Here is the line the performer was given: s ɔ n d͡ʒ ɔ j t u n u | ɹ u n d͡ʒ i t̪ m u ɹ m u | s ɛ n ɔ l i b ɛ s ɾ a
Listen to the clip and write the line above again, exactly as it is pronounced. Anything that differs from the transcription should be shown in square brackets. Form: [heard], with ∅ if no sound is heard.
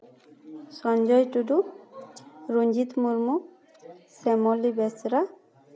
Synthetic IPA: s ɔ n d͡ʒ ɔ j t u [d] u | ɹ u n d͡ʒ i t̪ m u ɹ m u | s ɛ [m] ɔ l i b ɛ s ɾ a